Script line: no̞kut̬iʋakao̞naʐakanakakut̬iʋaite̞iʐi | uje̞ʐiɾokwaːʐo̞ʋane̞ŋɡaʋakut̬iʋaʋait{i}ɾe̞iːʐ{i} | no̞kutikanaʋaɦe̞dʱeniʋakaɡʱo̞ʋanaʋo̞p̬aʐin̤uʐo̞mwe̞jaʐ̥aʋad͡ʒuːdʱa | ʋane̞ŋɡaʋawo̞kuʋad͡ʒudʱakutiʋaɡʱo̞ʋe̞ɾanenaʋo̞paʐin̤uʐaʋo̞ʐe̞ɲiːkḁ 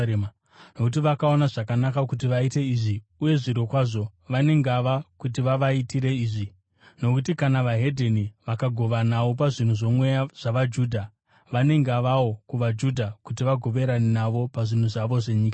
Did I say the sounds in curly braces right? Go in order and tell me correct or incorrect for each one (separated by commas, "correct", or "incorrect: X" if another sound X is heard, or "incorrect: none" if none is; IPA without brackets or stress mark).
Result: correct, correct